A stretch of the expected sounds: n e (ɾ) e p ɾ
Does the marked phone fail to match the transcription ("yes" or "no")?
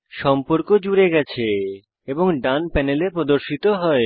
yes